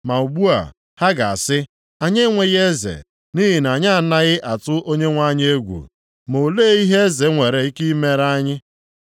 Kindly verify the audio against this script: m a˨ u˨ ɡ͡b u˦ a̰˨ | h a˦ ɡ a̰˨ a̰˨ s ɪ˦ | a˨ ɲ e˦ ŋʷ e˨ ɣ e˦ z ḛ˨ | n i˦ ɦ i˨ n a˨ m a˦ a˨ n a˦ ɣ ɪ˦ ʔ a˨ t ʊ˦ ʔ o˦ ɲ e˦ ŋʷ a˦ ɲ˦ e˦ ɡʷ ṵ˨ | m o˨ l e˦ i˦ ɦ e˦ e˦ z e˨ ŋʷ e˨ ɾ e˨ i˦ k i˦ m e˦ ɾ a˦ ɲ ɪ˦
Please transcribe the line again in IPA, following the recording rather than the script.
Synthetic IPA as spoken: m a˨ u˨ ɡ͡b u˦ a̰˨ | h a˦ ɡ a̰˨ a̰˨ s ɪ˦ | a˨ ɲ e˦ ŋʷ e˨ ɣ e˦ z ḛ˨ | n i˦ ɦ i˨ n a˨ ɲ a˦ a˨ n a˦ ɣ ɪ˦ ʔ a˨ t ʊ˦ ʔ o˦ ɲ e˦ ŋʷ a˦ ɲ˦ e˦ ɡʷ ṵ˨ | m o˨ l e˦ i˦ ɦ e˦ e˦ z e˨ ŋʷ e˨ ɾ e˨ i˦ k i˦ m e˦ ɾ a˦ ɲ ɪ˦